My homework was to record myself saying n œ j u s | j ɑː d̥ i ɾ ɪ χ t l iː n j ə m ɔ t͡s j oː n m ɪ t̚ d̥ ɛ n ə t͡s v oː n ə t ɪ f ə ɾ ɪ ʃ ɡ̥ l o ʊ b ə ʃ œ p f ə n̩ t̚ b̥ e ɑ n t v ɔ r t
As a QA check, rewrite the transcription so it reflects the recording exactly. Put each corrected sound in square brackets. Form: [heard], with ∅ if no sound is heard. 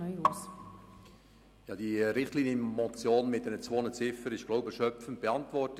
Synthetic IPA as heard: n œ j u s | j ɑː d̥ i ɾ ɪ χ t l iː n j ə m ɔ t͡s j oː n m ɪ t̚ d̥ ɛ n ə t͡s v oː n ə [t͡s] ɪ f ə ɾ ɪ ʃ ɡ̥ l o ʊ b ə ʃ œ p f ə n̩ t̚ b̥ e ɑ n t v ɔ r t